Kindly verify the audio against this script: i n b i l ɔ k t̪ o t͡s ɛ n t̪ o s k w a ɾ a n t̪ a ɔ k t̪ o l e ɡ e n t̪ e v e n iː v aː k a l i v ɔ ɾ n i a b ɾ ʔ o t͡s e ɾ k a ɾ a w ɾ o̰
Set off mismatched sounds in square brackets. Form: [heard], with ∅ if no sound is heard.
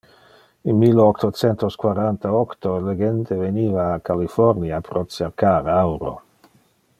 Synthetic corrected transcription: i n [m] i l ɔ k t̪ o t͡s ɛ n t̪ o s k w a ɾ a n t̪ a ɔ k t̪ o l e ɡ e n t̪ e v e n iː v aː k a l i [f] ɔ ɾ n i a [p] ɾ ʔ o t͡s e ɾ k a ɾ a w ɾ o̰